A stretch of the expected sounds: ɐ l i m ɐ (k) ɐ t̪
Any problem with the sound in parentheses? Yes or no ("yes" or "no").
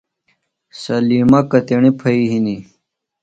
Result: no